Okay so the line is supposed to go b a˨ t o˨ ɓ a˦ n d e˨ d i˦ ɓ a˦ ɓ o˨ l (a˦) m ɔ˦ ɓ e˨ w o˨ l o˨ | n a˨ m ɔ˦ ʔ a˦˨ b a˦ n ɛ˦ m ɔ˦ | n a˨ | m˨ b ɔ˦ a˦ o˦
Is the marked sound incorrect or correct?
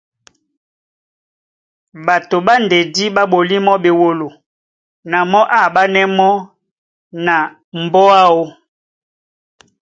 incorrect